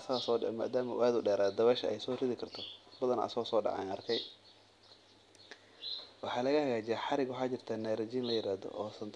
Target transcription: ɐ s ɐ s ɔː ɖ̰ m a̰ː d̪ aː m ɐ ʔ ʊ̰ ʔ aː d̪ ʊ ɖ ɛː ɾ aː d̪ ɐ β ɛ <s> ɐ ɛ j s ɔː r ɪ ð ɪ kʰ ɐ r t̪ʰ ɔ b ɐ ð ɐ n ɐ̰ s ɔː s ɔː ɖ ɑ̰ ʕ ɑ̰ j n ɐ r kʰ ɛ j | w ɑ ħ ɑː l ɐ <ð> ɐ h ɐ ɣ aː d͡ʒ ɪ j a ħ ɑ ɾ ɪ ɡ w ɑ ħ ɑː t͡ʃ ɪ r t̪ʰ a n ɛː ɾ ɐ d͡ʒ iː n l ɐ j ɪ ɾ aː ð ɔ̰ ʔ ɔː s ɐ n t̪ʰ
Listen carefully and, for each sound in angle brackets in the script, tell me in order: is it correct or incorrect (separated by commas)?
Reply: incorrect, incorrect